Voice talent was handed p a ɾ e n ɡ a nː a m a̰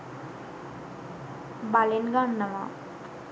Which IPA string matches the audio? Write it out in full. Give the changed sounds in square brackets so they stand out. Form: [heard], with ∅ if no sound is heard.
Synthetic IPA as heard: [b] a [l] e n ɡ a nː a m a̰